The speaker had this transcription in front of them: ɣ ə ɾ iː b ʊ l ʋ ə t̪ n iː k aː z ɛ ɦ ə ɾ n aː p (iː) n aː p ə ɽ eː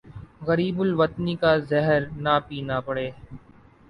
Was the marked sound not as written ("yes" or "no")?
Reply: no